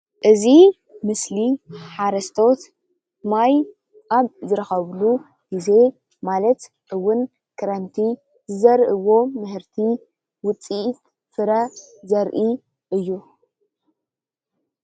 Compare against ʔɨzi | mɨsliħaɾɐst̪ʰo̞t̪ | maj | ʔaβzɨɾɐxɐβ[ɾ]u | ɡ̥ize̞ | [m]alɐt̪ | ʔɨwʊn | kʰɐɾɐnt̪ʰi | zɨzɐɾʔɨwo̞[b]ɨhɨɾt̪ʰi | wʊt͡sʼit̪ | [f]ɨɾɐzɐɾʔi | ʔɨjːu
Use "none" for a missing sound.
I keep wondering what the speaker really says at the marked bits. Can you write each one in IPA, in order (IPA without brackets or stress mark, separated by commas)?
l, m, m, f